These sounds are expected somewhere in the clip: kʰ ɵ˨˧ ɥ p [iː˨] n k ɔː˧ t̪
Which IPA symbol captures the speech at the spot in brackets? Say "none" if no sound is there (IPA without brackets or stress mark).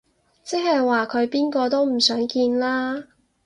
iː˥